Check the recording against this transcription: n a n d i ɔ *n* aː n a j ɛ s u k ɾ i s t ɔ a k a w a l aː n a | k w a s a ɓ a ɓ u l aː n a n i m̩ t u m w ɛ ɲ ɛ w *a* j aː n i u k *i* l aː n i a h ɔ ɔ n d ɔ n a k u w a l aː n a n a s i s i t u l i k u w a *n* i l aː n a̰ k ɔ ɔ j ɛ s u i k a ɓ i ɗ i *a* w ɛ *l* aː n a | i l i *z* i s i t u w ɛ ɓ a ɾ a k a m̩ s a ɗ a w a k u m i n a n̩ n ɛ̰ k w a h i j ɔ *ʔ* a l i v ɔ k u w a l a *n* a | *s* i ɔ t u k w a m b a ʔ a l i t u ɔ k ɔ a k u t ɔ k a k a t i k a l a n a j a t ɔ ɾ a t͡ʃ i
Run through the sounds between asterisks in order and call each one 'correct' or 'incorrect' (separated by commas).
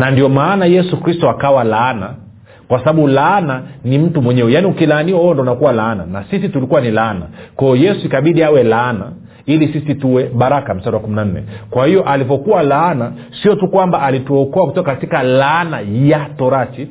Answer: incorrect, incorrect, correct, correct, correct, correct, incorrect, correct, correct, correct